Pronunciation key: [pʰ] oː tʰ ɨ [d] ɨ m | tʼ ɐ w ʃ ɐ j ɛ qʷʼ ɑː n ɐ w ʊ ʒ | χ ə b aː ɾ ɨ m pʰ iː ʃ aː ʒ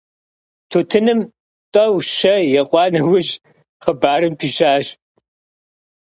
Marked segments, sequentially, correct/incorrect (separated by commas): incorrect, incorrect